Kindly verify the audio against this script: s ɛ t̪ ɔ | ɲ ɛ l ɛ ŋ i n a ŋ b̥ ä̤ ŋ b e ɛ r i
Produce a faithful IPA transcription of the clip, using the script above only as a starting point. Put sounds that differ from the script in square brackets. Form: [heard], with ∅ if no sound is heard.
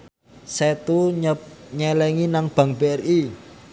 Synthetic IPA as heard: s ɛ t̪ [u] | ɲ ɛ l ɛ ŋ i n a ŋ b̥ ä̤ ŋ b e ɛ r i

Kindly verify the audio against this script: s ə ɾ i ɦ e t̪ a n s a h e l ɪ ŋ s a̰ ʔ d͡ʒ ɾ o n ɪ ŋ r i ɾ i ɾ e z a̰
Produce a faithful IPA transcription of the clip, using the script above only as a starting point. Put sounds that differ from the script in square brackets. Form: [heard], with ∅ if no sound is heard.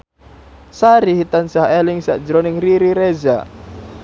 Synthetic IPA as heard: s [a] ɾ i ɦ [i] t̪ a n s a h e l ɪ ŋ s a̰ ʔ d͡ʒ ɾ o n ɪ ŋ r i ɾ i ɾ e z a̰

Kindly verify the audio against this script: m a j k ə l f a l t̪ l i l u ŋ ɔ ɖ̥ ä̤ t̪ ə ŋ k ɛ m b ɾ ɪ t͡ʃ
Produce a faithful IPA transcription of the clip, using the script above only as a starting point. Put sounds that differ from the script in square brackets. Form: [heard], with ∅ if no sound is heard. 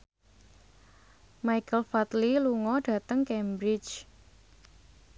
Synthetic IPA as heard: m a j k ə l f a [∅] t̪ l i l u ŋ ɔ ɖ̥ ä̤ t̪ ə ŋ k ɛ m b ɾ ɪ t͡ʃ

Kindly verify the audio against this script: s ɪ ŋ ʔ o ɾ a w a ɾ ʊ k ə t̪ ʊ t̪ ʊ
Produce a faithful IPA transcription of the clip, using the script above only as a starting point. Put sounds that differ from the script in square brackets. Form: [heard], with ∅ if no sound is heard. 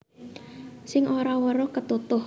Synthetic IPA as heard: s ɪ ŋ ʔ o ɾ a w [ə] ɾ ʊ k ə t̪ [u] t̪ ʊ

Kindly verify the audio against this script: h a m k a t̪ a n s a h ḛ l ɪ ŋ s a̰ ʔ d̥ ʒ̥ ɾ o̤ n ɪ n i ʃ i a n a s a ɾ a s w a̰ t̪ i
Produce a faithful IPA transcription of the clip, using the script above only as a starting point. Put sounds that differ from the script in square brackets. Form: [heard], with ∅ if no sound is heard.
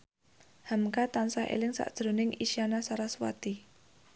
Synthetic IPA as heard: h a m k a t̪ a n s a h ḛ l ɪ ŋ s a̰ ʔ d̥ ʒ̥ ɾ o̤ n ɪ [ŋ] i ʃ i a n a s a ɾ a s w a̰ t̪ i

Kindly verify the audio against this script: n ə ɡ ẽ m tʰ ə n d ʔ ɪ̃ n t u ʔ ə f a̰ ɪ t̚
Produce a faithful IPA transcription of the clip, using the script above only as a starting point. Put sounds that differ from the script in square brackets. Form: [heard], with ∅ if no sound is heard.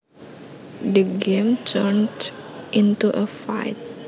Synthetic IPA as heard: [d] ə ɡ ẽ m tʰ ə n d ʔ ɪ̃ n t u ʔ ə f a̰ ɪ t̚

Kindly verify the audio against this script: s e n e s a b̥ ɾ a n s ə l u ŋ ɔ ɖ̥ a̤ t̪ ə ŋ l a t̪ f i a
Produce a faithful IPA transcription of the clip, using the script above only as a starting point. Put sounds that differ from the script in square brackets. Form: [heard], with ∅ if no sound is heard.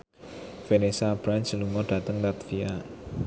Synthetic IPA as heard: [f] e n e s a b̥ ɾ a n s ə l u ŋ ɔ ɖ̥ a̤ t̪ ə ŋ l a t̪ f i a

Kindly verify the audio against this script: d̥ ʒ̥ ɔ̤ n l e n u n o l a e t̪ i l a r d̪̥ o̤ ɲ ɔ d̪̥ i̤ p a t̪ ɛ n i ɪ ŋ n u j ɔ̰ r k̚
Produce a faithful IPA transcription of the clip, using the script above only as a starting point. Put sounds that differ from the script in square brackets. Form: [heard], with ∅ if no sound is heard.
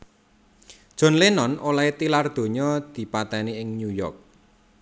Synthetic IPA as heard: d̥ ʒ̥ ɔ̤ n l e n [ɔ] n o l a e t̪ i l a r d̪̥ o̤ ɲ ɔ d̪̥ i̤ p a t̪ ɛ n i ɪ ŋ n u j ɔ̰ r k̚

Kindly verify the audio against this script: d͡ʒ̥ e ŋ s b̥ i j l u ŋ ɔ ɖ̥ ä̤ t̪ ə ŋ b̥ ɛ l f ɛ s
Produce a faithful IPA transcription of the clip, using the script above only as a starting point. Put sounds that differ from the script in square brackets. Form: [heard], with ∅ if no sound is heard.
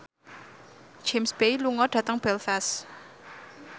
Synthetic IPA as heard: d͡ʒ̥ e [m] s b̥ [e] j l u ŋ ɔ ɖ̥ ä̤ t̪ ə ŋ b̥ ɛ l f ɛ s

